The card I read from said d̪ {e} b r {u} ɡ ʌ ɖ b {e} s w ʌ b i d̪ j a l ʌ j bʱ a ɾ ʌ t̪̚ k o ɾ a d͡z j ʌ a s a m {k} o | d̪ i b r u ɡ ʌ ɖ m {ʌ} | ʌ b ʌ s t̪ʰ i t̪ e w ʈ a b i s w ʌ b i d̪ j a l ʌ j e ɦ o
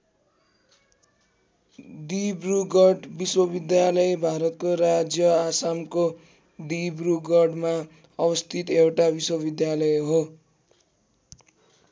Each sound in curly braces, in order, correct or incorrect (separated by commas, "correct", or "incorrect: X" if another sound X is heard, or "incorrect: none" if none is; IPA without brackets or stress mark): incorrect: i, correct, incorrect: i, correct, incorrect: a